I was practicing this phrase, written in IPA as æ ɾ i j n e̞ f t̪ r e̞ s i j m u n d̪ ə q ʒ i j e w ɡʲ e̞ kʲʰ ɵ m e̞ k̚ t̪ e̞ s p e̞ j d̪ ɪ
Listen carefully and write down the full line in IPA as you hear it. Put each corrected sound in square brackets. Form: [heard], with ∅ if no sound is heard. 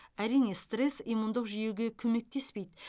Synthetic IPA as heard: æ ɾ i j n e̞ [s] t̪ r e̞ s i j m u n d̪ ə q ʒ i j e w ɡʲ e̞ kʲʰ ɵ m e̞ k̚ t̪ e̞ s p e̞ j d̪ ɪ